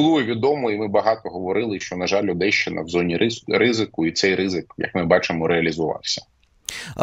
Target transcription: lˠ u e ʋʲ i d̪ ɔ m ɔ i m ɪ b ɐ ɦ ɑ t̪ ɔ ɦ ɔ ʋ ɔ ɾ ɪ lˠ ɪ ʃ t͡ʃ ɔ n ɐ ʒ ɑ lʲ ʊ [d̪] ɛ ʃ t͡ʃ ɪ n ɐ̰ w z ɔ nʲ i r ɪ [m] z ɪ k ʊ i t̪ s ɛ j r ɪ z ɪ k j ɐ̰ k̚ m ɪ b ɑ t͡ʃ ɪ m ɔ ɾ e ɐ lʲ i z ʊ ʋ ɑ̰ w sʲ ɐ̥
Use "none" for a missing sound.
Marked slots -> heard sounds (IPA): d̪, none

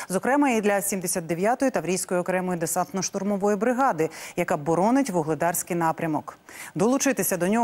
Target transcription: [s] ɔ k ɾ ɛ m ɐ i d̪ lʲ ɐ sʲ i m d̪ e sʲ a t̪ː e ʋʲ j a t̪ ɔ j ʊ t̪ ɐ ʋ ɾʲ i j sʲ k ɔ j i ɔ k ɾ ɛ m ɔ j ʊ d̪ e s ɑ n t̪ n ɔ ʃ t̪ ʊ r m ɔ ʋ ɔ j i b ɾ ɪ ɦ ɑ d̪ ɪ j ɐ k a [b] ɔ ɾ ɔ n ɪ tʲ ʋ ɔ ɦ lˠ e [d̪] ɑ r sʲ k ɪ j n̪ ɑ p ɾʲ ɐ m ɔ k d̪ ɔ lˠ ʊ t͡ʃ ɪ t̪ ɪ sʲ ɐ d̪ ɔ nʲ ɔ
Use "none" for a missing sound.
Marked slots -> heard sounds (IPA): z, b, d̪

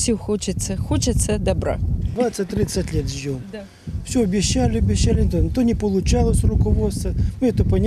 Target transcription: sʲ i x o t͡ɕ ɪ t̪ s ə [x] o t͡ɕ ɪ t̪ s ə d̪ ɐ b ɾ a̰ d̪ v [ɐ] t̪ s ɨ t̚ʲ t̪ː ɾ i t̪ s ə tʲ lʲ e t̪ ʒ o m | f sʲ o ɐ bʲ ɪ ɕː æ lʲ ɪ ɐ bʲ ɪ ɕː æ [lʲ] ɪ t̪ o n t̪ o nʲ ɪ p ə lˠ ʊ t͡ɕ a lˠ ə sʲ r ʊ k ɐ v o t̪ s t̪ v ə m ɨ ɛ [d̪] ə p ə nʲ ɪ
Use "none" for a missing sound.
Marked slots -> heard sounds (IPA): x, a, lʲ, t̪

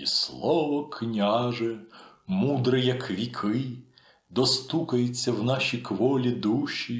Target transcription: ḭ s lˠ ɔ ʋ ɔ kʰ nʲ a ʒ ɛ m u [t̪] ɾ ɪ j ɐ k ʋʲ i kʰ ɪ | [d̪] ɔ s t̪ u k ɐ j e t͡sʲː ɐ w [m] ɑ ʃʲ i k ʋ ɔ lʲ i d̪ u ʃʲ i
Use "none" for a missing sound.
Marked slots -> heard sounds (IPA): d̪, d̪, n

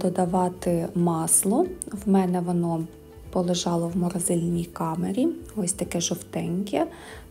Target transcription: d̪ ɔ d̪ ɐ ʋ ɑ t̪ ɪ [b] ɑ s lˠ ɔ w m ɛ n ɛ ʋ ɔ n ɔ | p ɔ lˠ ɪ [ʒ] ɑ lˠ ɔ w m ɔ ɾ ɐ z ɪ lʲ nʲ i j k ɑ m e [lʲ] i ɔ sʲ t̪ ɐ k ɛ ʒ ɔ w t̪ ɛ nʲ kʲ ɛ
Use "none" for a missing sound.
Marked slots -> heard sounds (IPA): m, ʒ, ɾʲ

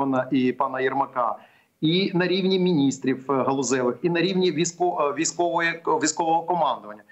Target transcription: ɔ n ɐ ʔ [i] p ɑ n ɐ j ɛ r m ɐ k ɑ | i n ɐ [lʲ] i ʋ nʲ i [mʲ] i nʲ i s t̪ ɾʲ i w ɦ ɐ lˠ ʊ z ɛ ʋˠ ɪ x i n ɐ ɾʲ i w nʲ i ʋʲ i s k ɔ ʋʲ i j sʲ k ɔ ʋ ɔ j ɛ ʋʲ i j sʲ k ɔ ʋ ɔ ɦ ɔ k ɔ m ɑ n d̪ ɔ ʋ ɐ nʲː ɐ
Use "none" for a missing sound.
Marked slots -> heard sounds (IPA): i, ɾʲ, mʲ

